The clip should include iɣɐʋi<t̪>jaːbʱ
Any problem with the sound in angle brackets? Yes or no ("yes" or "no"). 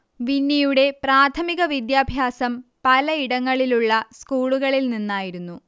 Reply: yes